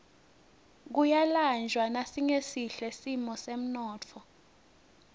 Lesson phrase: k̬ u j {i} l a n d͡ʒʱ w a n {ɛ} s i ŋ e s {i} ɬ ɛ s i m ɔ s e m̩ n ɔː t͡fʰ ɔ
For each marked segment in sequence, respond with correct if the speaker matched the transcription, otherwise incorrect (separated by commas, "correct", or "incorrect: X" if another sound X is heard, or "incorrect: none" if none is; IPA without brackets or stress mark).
incorrect: a, incorrect: a, correct